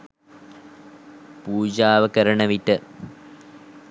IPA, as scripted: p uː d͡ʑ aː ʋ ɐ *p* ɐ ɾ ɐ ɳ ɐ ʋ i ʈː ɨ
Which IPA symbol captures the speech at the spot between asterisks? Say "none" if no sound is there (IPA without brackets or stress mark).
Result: k